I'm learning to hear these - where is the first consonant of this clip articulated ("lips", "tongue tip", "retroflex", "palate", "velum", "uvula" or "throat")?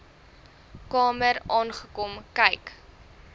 velum